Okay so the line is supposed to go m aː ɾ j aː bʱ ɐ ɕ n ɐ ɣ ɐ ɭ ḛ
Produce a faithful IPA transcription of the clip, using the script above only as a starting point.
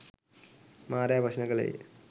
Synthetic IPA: m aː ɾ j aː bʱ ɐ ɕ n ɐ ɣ ɐ ɭ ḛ